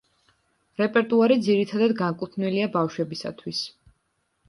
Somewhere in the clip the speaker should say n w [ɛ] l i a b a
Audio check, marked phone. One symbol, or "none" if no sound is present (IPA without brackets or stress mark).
i